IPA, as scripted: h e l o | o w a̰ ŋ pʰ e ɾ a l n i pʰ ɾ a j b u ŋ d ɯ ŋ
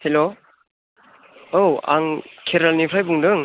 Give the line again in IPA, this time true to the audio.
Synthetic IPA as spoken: h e l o | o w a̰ ŋ kʰ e ɾ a l n i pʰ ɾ a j b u ŋ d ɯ ŋ